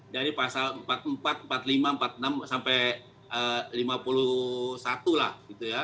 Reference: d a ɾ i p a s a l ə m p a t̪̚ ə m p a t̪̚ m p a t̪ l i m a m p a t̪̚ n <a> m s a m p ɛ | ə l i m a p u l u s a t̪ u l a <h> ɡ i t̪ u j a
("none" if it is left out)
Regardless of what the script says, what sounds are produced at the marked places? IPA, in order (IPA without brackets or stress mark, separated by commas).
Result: a, h